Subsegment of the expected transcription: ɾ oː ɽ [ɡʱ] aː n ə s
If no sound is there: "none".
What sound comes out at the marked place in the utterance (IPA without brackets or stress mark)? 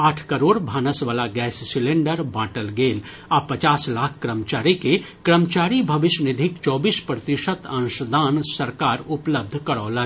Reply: bʱ